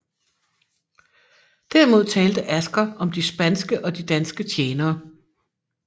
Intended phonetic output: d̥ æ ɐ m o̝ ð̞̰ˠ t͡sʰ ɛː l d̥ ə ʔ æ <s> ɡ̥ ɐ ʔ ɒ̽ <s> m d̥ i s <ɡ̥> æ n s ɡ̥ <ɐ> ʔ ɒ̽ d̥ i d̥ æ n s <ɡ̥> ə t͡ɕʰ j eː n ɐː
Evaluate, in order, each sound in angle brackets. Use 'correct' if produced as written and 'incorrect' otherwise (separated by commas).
correct, incorrect, incorrect, incorrect, correct